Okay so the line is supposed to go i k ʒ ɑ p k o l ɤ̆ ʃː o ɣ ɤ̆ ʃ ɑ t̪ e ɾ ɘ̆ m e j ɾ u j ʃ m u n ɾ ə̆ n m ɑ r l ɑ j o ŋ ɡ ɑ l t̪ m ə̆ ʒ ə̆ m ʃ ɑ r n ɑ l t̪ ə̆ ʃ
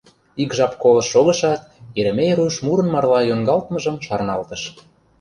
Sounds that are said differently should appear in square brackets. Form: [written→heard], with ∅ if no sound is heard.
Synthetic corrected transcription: i k ʒ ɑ p k o l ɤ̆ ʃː o ɣ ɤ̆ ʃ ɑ t̪ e ɾ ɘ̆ m e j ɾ u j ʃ m u [n→∅] ɾ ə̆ n m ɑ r l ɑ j o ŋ ɡ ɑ l t̪ m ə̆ ʒ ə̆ m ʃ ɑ r n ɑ l t̪ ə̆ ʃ

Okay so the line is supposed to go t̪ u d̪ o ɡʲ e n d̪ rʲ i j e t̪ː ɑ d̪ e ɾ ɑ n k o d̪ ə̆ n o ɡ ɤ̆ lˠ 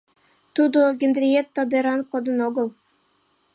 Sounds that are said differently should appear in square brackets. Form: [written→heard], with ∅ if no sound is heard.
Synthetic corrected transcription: t̪ u d̪ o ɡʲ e n d̪ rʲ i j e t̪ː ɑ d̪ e ɾ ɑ n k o d̪ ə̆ n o ɡ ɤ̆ lˠ

